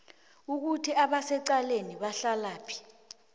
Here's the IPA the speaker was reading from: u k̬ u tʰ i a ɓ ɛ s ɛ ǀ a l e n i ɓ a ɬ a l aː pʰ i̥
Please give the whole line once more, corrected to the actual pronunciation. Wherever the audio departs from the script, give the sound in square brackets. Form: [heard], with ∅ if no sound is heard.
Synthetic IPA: u k̬ u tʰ i a ɓ [a] s ɛ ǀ a l e n i ɓ a ɬ a l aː pʰ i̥